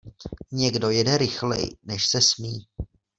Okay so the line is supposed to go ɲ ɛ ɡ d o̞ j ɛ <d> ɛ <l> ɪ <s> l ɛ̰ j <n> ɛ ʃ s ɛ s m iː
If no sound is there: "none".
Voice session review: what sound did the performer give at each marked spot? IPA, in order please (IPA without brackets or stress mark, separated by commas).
d, ɾ, x, n